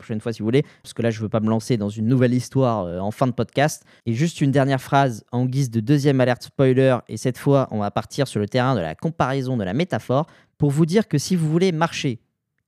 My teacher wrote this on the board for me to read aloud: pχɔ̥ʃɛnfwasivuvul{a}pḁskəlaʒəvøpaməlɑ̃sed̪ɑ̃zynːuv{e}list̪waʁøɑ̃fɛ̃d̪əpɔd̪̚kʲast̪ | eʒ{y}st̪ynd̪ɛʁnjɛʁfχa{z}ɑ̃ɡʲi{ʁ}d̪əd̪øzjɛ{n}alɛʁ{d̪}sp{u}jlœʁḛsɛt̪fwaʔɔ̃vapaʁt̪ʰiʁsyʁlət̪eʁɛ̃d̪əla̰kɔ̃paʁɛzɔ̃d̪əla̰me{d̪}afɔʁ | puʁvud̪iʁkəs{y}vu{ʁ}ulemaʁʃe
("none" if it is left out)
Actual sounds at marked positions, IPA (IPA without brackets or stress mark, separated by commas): e, ɛ, y, z, z, m, t̪, ɔ, t̪, i, v